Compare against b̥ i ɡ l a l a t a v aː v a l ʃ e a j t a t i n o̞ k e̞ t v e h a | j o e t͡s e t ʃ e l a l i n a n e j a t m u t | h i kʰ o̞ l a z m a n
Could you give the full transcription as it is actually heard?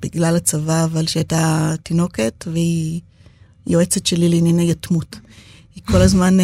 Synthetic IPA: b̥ i ɡ l a l a t͡s a v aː v a l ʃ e a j t a t i n o̞ k e̞ t v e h i | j o e t͡s e t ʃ e l i l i n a n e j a t m u t | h i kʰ o̞ l a z m a n